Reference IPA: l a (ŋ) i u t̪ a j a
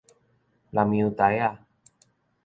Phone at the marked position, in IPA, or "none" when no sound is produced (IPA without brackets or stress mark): m